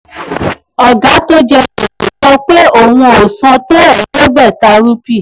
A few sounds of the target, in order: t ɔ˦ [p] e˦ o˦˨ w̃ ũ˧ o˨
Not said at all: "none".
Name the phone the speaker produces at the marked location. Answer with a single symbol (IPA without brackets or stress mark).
k͡p